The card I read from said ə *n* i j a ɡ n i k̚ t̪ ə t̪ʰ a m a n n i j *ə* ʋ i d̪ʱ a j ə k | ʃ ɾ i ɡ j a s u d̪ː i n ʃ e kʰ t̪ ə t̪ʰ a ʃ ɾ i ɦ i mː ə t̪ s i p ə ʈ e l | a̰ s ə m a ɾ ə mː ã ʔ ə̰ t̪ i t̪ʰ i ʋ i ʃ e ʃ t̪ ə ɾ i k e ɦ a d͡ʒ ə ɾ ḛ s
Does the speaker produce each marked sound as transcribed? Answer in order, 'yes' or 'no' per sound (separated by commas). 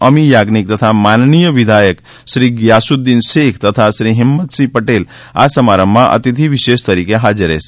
no, yes